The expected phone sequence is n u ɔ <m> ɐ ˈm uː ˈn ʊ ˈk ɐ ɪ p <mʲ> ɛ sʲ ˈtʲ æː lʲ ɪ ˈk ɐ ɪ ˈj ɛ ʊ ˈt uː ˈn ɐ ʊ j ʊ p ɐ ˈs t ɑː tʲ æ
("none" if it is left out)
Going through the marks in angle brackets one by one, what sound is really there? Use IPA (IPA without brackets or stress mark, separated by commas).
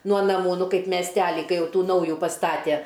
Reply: n, mʲ